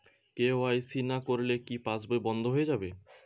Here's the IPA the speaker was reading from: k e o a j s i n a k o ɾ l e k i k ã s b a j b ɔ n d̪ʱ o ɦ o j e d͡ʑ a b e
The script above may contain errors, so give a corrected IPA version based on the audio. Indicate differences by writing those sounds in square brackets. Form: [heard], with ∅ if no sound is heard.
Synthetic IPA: k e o a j s i n a k o ɾ l e k i [p] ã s b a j b ɔ n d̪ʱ o ɦ o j e d͡ʑ a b e